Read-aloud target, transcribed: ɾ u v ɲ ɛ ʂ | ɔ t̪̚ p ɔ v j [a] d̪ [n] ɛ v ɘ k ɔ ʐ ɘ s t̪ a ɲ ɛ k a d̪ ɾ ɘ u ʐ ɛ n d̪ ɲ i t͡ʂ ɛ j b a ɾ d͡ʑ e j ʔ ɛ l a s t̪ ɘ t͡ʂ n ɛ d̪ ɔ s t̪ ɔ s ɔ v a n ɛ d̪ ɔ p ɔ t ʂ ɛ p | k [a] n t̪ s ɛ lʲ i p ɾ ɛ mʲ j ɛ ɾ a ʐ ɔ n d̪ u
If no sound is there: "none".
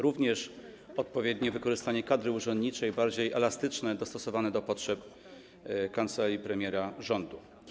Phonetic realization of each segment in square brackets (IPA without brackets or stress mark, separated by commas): ɛ, ɲ, a